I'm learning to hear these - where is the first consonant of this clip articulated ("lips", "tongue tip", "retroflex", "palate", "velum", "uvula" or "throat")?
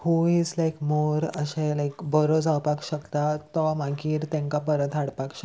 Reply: throat